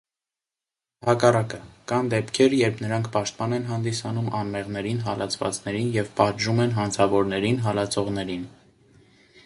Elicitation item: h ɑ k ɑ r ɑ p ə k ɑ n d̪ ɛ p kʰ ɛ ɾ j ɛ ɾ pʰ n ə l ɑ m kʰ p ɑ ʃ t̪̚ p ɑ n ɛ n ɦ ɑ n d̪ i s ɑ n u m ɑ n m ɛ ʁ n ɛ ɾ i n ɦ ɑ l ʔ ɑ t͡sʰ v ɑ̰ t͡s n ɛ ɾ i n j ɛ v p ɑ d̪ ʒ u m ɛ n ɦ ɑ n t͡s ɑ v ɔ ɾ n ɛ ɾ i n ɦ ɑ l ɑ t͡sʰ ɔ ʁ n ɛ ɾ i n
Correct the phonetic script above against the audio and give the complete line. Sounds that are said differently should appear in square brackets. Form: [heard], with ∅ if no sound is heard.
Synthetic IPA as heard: h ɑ k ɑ r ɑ [k] ə k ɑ n d̪ ɛ p kʰ ɛ ɾ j ɛ ɾ pʰ n ə [ɾ] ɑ [ŋ] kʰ p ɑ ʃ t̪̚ p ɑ n ɛ n ɦ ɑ n d̪ i s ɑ n u m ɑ n m ɛ ʁ n ɛ ɾ i n ɦ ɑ l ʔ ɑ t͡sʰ v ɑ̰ t͡s n ɛ ɾ i n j ɛ v p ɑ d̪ ʒ u m ɛ n ɦ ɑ n [t͡sʰ] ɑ v ɔ ɾ n ɛ ɾ i n ɦ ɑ l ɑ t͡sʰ ɔ ʁ n ɛ ɾ i n